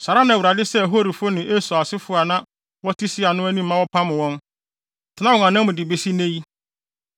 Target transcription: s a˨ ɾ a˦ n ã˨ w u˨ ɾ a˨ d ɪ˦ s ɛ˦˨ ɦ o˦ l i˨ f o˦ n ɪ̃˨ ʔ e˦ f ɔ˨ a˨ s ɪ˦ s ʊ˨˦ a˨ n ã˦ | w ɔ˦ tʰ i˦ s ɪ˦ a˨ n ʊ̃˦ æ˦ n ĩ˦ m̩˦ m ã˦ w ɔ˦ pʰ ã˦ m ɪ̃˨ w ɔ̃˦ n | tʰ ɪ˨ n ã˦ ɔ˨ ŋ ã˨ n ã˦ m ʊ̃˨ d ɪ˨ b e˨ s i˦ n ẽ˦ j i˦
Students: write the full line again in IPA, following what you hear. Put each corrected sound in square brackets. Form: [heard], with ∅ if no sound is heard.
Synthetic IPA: s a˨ ɾ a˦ n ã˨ w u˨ ɾ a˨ d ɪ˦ s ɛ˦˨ ɦ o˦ [ɾ] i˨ f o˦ n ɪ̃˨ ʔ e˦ [s] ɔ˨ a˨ s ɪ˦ [f] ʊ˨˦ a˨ n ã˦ | w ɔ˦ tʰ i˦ s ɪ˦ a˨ n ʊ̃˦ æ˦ n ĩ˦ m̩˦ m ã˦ w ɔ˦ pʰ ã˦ m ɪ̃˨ w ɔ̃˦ n | tʰ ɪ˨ n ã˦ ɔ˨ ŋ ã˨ n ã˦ m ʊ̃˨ d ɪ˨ b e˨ s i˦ n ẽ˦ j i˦